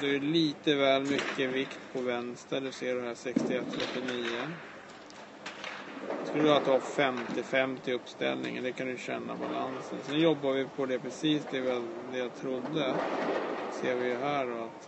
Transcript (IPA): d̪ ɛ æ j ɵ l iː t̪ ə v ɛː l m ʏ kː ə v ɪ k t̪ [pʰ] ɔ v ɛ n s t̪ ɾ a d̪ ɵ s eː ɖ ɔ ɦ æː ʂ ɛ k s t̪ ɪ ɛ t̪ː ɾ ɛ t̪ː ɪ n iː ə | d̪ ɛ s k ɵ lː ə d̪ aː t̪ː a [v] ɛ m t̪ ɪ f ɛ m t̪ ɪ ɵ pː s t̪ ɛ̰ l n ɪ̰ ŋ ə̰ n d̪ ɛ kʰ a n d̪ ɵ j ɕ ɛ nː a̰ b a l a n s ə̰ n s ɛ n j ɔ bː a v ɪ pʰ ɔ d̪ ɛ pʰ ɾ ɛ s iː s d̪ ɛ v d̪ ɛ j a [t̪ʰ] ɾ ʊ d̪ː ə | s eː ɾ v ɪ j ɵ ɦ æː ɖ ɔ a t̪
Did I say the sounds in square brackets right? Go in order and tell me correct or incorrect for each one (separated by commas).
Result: correct, incorrect, correct